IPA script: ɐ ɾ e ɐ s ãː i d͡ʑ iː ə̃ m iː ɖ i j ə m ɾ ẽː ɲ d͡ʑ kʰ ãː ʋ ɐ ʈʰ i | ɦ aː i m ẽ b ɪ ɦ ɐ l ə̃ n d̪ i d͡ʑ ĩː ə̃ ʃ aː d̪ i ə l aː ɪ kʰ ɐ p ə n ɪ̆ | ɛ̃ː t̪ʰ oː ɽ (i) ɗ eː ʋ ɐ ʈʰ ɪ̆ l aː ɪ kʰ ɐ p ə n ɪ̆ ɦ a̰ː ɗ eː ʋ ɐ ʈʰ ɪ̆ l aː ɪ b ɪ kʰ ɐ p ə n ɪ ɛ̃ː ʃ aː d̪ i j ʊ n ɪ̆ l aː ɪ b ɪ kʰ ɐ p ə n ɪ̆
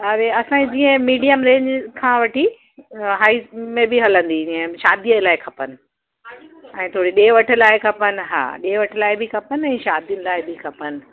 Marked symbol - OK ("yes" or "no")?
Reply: yes